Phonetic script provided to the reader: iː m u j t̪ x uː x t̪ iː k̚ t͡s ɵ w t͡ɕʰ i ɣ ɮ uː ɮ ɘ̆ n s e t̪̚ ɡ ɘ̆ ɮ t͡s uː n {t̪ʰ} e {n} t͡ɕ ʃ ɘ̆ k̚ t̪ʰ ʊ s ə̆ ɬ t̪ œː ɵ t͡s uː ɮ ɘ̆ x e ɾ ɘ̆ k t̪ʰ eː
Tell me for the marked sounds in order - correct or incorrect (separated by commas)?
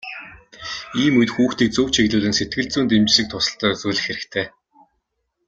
incorrect, incorrect